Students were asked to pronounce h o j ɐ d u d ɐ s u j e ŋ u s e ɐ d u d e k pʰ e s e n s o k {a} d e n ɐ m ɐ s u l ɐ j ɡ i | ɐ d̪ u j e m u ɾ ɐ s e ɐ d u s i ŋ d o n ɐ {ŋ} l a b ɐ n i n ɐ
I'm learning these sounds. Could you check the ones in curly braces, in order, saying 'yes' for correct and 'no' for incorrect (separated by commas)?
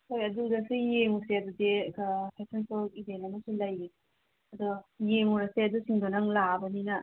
no, yes